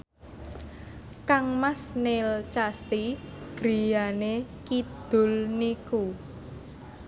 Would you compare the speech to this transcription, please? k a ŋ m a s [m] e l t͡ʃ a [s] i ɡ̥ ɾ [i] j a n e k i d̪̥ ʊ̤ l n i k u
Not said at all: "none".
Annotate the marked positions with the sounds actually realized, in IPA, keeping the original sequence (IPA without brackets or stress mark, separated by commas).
n, s, i